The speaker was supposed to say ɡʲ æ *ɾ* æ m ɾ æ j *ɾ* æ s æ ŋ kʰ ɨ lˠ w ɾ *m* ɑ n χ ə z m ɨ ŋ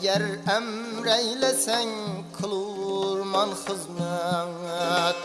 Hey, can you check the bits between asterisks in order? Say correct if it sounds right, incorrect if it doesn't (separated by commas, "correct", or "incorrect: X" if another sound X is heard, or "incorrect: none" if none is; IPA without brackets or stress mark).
correct, incorrect: l, correct